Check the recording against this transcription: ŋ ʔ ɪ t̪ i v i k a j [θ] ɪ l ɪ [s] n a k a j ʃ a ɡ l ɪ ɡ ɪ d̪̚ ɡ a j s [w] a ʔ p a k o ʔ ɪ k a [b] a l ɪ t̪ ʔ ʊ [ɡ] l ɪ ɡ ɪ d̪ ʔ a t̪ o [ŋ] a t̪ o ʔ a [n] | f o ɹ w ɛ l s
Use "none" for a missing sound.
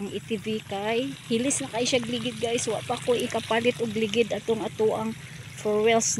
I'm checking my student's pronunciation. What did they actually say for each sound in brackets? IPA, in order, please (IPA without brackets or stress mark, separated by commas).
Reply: h, s, w, p, ɡ, ŋ, ŋ